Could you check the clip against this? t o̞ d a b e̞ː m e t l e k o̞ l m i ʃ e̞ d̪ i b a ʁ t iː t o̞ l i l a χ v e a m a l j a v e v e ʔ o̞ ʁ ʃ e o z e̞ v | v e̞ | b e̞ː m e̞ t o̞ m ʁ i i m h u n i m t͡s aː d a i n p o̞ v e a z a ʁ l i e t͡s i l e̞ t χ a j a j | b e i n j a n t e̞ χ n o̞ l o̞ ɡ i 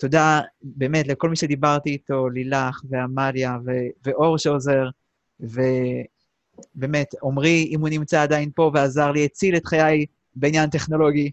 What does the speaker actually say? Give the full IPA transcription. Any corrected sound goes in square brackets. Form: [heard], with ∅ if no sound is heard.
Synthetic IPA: t o̞ d a b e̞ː m e t l e k o̞ l m i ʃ e̞ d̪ i b a ʁ t iː t o̞ l i l a χ v e a m a l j a v e v e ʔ o̞ ʁ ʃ e o z e̞ [ʁ] | v e̞ | b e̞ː m e̞ t o̞ m ʁ i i m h u n i m t͡s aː d a i n p o̞ v e a z a ʁ l i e t͡s i l e̞ t χ a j a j | b e i n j a n t e̞ χ n o̞ l o̞ ɡ i